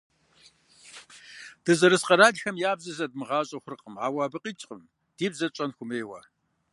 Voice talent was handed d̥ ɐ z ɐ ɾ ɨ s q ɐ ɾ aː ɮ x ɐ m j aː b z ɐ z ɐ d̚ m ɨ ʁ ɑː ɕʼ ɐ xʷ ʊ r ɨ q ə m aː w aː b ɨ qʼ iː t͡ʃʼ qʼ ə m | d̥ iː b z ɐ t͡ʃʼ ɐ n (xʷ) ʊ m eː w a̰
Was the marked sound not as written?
no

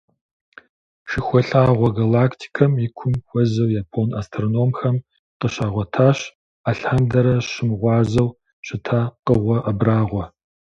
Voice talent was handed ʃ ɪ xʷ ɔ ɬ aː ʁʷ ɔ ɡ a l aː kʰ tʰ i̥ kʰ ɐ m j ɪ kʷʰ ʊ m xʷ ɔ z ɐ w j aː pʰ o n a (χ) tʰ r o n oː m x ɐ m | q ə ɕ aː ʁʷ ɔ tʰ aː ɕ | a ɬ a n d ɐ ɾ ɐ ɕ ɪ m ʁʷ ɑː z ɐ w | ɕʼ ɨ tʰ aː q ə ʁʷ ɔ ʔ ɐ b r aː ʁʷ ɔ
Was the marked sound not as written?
yes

